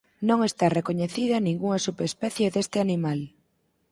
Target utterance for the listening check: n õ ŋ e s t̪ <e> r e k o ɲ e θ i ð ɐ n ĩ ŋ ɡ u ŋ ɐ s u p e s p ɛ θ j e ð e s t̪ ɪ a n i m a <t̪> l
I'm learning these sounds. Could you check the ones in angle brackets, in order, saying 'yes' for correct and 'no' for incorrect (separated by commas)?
no, no